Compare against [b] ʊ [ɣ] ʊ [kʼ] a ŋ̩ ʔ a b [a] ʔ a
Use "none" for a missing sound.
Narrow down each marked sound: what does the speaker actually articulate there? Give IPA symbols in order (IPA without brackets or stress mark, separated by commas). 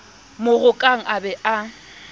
m, ɣ, kʼ, ɛ